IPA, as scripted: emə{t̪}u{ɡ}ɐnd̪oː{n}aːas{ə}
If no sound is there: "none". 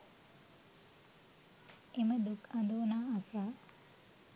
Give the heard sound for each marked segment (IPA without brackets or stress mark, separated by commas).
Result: d̪, k, n, a